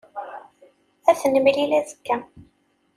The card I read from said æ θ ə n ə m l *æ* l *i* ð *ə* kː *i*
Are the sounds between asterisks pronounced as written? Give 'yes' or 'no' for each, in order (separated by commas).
no, no, yes, no